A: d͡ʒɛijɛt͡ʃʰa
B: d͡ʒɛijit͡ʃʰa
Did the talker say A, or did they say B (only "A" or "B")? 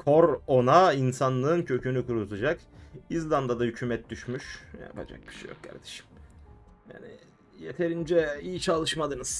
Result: B